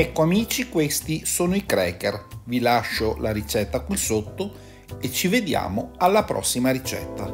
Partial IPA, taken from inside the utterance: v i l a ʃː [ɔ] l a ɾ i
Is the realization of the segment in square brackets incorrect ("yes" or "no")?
yes